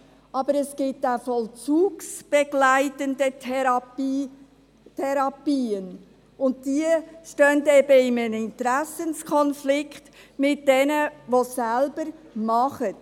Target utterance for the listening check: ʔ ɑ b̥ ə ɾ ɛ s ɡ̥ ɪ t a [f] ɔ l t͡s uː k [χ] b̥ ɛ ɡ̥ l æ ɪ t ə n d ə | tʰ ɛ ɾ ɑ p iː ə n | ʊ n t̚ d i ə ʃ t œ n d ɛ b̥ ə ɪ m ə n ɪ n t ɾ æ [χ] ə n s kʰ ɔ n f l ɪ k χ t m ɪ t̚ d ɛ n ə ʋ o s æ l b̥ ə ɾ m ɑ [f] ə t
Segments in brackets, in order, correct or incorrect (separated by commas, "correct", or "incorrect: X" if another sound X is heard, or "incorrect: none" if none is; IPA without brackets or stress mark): correct, incorrect: s, incorrect: s, incorrect: χ